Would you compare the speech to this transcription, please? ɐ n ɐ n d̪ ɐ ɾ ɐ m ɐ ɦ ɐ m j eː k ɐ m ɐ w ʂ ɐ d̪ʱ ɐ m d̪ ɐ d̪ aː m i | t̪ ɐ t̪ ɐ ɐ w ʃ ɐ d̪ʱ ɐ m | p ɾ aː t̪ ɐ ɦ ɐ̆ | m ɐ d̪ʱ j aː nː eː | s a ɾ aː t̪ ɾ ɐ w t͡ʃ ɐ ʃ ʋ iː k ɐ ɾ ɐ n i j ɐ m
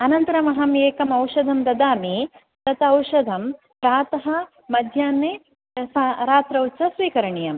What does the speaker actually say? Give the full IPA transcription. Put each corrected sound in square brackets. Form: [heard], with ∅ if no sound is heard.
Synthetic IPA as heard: ɐ n ɐ n [t̪] ɐ ɾ ɐ m ɐ ɦ ɐ m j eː k ɐ m ɐ w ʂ ɐ d̪ʱ ɐ m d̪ ɐ d̪ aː m i | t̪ ɐ t̪ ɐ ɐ w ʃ ɐ d̪ʱ ɐ m | p ɾ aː t̪ ɐ ɦ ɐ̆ | m ɐ d̪ʱ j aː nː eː | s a ɾ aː t̪ ɾ ɐ w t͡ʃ ɐ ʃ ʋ iː k ɐ ɾ ɐ [ɳ] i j ɐ m